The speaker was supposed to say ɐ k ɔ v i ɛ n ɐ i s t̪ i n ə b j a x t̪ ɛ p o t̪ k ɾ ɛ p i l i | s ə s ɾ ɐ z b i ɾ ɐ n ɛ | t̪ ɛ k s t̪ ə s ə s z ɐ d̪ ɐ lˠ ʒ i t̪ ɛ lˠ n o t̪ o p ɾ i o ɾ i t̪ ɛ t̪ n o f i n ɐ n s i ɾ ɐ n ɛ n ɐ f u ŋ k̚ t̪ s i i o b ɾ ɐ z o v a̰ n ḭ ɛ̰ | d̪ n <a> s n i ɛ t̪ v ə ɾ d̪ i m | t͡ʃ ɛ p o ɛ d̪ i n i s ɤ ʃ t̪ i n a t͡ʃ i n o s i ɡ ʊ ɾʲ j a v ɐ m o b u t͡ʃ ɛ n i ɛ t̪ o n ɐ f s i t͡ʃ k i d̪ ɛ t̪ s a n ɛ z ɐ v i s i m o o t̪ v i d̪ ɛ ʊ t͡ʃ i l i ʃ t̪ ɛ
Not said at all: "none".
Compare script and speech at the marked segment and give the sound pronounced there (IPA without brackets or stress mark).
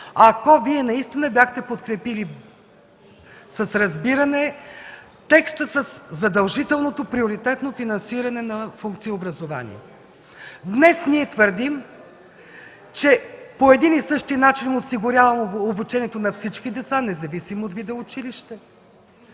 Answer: ɛ